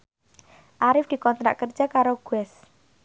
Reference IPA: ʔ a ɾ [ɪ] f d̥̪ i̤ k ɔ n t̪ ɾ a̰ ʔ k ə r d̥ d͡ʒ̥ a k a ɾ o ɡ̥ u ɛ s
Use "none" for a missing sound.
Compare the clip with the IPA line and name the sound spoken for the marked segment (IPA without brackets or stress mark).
ɪ